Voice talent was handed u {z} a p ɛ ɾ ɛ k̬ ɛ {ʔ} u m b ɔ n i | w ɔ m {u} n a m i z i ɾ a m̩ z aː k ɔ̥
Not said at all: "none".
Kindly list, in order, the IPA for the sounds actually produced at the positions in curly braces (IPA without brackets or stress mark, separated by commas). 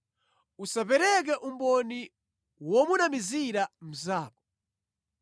s, ʔ, u